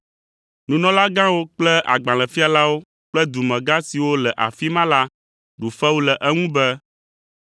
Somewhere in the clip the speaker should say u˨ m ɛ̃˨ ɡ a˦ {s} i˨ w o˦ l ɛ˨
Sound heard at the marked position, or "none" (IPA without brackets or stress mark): s